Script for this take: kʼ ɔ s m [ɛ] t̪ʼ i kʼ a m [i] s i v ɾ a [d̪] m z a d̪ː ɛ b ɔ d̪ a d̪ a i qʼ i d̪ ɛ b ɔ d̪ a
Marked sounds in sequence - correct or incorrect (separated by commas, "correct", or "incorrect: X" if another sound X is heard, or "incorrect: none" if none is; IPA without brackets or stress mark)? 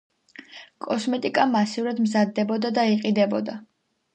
correct, incorrect: a, correct